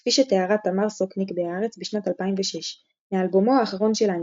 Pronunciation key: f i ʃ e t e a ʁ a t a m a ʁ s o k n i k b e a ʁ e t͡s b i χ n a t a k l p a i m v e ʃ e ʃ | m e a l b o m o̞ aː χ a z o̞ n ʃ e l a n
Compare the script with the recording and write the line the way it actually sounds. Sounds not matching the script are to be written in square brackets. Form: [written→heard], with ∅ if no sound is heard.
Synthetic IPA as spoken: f i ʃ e t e a ʁ a t a m a ʁ s o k n i k b e a ʁ e t͡s b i [χ→ʃ] n a t a [k→∅] l p a i m v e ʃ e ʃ | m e a l b o m o̞ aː χ a [z→ʁ] o̞ n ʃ e l a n

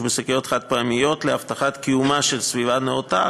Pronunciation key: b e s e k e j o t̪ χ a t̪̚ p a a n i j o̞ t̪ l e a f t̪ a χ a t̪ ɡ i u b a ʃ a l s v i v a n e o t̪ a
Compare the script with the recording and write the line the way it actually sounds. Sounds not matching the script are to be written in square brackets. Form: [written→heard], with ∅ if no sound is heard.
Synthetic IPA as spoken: b e s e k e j o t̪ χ a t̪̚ p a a [n→m] i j o̞ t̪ l e a f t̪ a χ a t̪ [ɡ→k] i u [b→m] a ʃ [a→e] l s v i v a n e o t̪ a

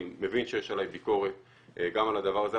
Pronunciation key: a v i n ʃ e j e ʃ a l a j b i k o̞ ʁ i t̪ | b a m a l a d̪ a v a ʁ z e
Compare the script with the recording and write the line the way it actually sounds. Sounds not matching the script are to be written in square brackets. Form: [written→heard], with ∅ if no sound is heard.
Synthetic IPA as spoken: [a→e] v i n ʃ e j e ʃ a l a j b i k o̞ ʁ [i→e] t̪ | [b→ɡ] a m a l a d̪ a v a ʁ z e

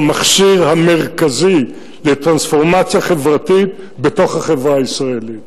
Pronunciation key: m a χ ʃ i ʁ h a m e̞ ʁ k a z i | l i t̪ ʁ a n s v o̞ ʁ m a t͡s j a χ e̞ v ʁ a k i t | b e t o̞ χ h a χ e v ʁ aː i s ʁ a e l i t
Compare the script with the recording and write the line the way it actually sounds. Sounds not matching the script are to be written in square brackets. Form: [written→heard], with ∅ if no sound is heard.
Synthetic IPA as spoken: m a χ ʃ i ʁ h a m e̞ ʁ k a z i | l [i→e] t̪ ʁ a n s [v→f] o̞ ʁ m a t͡s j a χ e̞ v ʁ a [k→t] i t | b e t o̞ χ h a χ e v ʁ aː i s ʁ a e l i t

